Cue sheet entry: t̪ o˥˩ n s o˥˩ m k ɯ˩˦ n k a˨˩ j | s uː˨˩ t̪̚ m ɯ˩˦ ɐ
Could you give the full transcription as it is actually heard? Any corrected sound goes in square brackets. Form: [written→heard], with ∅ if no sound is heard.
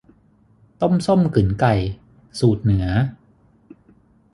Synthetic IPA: t̪ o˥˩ [n→m] s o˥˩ m k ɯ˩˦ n k a˨˩ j | s uː˨˩ t̪̚ [m→n] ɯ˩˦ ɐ

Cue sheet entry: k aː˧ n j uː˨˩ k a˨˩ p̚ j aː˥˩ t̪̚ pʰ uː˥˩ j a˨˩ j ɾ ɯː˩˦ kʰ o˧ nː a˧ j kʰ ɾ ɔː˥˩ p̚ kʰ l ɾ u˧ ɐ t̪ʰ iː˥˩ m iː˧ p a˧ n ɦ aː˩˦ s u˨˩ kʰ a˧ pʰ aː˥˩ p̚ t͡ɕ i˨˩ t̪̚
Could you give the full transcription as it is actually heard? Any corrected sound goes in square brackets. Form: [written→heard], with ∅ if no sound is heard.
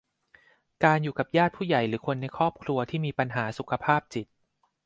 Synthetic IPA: k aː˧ n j uː˨˩ k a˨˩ p̚ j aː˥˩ t̪̚ pʰ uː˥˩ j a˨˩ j ɾ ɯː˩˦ kʰ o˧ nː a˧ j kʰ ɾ ɔː˥˩ p̚ kʰ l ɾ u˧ ɐ t̪ʰ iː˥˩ m iː˧ p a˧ n ɦ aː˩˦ s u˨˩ kʰ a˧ pʰ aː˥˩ p̚ t͡ɕ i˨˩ t̪̚

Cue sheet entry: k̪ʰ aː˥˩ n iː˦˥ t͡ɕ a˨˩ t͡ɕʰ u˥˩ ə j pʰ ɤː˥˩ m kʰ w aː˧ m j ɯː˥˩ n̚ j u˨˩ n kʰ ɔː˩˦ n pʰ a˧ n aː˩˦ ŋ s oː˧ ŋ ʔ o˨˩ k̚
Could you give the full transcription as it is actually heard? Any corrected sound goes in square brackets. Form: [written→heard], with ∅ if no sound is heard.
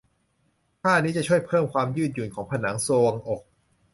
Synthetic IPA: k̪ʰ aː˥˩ n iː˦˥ t͡ɕ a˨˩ t͡ɕʰ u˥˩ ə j pʰ ɤː˥˩ m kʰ w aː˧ m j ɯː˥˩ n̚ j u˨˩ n kʰ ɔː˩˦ [n→ŋ] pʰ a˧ n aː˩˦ ŋ s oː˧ ŋ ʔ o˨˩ k̚

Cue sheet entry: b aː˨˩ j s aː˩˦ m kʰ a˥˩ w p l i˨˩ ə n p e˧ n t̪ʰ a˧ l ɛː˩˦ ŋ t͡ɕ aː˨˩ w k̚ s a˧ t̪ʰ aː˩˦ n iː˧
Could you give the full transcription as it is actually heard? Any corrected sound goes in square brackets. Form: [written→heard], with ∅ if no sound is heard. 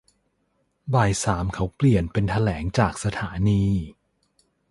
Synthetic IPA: b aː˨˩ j s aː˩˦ m kʰ [a˥˩→a˦˥] w p l i˨˩ ə n p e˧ n t̪ʰ a˧ l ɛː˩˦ ŋ t͡ɕ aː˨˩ [w→∅] k̚ s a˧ t̪ʰ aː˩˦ n iː˧

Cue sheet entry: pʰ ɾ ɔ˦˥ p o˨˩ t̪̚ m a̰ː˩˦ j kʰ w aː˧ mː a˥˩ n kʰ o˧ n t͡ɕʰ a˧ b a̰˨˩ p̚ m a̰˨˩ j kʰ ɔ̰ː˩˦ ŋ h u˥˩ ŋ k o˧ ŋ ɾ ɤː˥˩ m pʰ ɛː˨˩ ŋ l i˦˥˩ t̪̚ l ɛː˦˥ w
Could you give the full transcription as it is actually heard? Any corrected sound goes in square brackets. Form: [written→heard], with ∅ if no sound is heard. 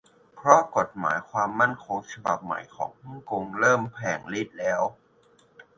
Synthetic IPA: pʰ ɾ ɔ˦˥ [p→k] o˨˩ t̪̚ m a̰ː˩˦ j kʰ w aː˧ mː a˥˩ n kʰ o˧ [n→ŋ] t͡ɕʰ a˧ b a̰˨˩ p̚ m a̰˨˩ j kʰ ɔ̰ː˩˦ ŋ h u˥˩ ŋ k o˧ ŋ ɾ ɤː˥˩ m pʰ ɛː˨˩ ŋ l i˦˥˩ t̪̚ l ɛː˦˥ w

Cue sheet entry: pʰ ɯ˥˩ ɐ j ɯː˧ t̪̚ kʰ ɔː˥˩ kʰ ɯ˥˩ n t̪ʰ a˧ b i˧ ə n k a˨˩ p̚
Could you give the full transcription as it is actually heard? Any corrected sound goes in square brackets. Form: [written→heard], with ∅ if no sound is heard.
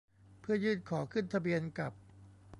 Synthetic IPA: pʰ ɯ˥˩ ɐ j [ɯː˧→ɯː˥˩] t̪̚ kʰ [ɔː˥˩→ɔː˩˦] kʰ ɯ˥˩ n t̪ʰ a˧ b i˧ ə n k a˨˩ p̚

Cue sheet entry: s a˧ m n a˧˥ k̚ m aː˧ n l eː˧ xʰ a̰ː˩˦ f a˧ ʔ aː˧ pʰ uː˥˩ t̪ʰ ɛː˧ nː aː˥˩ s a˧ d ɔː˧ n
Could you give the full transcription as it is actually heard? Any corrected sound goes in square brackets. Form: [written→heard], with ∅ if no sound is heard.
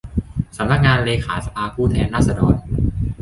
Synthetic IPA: s [a˧→a˩˦] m n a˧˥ k̚ [m→ŋ] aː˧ n l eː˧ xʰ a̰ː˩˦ [f→s] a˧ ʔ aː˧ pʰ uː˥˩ t̪ʰ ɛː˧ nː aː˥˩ s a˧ d ɔː˧ n

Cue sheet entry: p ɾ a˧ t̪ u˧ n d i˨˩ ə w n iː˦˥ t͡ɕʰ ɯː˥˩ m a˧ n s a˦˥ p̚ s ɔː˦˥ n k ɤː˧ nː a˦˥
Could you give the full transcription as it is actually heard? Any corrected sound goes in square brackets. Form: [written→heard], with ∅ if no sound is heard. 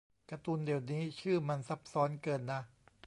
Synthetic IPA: [p→k] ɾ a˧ t̪ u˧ n d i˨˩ ə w n iː˦˥ t͡ɕʰ ɯː˥˩ m a˧ n s a˦˥ p̚ s ɔː˦˥ n k ɤː˧ nː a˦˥

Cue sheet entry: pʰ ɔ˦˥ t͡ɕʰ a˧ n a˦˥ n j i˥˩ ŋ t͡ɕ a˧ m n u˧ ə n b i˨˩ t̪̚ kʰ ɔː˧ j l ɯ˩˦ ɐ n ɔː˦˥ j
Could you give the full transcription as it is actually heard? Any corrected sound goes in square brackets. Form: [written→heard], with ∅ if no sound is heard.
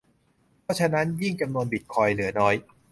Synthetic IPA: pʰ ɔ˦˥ t͡ɕʰ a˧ n a˦˥ n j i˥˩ ŋ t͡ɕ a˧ m n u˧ ə n b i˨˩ t̪̚ kʰ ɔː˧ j l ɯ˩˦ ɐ n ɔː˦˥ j

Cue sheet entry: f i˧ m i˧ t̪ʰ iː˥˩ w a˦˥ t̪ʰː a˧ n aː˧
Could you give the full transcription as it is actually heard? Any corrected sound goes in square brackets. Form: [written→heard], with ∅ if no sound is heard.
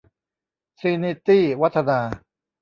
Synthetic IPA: [f→s] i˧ [m→n] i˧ [t̪ʰ→t̪] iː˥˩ w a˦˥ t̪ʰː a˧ n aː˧

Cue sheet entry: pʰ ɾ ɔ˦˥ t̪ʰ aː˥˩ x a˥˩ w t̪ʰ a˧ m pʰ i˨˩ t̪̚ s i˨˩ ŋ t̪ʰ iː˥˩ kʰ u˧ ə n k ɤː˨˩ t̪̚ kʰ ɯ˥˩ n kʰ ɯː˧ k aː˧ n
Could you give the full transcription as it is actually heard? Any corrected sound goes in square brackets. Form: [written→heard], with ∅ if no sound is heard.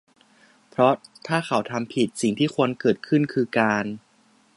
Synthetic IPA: pʰ ɾ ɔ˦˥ t̪ʰ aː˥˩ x [a˥˩→a˩˦] w t̪ʰ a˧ m pʰ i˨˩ t̪̚ s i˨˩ ŋ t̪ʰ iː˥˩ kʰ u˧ ə n k ɤː˨˩ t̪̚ kʰ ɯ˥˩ n kʰ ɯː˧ k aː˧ n

